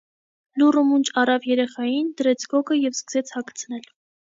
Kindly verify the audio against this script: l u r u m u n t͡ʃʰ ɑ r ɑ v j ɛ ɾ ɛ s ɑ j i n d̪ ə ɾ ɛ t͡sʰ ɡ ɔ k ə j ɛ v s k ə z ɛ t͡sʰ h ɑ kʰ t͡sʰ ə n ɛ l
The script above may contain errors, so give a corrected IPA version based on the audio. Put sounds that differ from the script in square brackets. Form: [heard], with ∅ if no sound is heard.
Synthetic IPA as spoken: l u r u m u n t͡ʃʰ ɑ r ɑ v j ɛ ɾ ɛ [χ] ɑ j i n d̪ ə ɾ ɛ t͡sʰ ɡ ɔ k ə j ɛ v s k ə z ɛ t͡sʰ h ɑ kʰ t͡sʰ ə n ɛ l